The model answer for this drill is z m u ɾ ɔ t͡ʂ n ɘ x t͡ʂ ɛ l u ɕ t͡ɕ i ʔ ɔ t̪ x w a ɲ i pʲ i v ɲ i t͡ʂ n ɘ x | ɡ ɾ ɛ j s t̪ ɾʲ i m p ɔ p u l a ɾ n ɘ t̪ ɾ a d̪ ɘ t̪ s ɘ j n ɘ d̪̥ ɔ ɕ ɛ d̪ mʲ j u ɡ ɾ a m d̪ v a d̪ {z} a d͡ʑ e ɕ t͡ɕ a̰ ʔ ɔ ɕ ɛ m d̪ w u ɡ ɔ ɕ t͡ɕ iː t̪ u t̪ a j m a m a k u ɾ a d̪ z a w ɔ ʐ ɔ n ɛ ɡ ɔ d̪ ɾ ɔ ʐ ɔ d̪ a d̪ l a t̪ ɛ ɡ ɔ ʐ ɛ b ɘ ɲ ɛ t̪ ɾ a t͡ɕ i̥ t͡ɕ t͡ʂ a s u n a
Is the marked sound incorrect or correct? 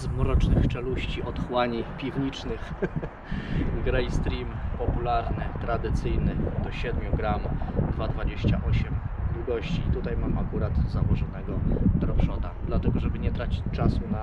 incorrect